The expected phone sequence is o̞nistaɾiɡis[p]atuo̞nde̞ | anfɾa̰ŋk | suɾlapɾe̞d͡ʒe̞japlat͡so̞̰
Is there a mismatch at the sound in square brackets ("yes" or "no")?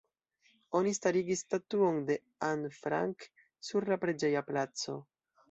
yes